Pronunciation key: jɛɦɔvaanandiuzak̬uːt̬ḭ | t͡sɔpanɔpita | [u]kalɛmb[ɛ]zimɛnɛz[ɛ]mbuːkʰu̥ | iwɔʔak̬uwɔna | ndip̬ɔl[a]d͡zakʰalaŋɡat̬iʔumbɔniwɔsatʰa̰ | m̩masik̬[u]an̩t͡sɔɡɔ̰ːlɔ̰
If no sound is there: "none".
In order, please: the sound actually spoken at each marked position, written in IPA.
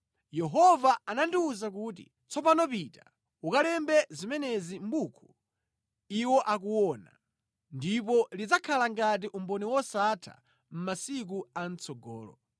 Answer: u, ɛ, i, i, u

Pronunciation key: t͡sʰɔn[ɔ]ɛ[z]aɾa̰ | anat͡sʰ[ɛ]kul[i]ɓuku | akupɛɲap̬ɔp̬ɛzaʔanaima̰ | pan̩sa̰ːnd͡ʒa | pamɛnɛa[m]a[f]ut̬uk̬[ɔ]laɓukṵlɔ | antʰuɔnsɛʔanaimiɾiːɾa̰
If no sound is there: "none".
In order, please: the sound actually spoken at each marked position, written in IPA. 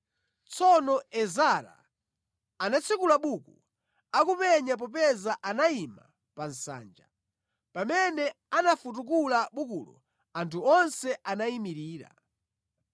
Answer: ɔ, z, i, a, n, f, u

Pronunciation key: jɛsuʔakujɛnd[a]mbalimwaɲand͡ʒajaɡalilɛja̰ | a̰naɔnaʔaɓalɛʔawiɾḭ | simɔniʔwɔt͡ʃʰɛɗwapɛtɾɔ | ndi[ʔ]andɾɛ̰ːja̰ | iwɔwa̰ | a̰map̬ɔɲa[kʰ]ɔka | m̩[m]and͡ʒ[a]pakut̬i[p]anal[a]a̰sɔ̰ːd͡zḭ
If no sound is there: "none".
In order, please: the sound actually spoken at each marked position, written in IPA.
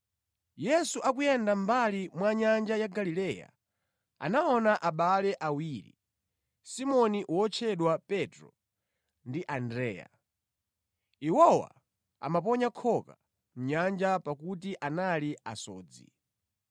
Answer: a, ʔ, kʰ, ɲ, a, ʔ, i

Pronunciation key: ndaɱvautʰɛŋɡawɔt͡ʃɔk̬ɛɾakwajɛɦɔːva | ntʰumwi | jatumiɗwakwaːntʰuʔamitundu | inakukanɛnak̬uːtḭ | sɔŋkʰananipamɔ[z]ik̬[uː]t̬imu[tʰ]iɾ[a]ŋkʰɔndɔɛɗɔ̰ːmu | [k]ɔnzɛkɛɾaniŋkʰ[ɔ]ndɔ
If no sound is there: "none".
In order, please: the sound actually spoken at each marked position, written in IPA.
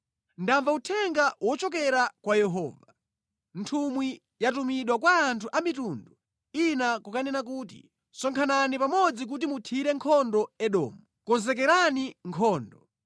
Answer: d͡z, u, tʰ, ɛ, k, ɔː

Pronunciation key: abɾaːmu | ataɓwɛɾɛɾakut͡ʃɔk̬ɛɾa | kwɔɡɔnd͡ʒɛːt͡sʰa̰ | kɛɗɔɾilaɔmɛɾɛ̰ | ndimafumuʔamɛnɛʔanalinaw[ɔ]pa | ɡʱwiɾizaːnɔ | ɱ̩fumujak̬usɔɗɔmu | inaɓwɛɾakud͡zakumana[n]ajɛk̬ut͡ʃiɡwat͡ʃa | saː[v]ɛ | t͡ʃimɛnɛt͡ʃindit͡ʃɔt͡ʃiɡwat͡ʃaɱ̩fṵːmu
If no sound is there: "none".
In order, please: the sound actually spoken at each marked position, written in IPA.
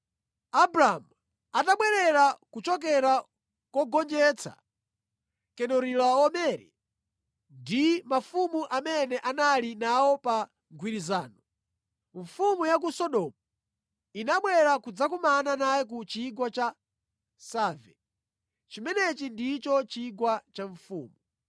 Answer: ɔ, n, v

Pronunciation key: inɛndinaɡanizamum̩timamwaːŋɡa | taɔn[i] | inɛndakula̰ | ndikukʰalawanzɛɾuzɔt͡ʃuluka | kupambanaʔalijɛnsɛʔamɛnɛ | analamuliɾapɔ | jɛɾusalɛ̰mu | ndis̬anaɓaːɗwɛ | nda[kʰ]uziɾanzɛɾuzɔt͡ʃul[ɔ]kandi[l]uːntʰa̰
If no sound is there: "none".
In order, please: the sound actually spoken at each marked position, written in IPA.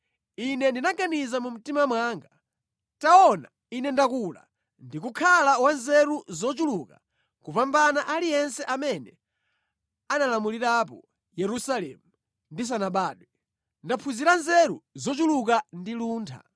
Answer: a, pʰ, u, l

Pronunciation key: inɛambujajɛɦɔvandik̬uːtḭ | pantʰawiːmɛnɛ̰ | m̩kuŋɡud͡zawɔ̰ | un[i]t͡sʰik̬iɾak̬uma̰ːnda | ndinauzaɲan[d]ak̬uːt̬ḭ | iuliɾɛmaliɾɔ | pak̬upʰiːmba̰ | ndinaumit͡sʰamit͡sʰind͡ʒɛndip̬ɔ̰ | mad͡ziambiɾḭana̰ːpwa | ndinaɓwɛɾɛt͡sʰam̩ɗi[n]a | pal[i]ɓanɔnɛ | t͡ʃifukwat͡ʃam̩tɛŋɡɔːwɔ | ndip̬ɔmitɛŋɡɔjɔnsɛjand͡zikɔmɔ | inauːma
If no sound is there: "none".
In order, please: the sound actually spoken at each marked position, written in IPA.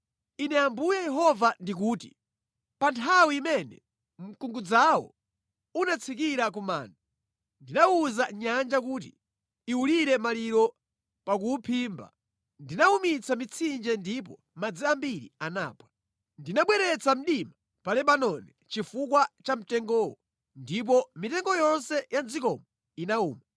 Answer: a, d͡ʒ, m, ɛ

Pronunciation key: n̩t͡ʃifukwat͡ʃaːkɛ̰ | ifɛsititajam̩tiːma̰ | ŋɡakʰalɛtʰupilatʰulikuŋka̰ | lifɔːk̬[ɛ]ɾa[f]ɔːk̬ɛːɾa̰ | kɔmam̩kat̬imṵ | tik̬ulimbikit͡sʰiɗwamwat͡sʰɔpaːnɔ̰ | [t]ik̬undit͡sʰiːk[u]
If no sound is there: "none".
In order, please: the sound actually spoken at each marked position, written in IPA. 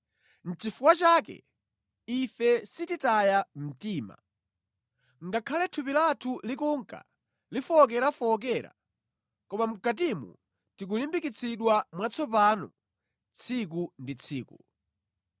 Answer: ɛ, f, t͡sʰ, u

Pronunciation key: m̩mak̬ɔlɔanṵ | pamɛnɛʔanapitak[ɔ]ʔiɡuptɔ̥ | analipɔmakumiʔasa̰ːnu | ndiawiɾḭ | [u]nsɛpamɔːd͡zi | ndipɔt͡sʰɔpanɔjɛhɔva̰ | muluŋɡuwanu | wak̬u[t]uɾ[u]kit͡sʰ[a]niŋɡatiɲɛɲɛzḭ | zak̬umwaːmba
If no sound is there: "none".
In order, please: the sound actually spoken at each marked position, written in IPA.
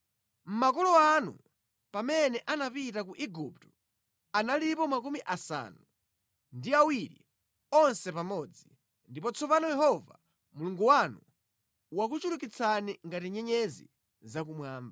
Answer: u, ɔ, t͡ʃ, u, a

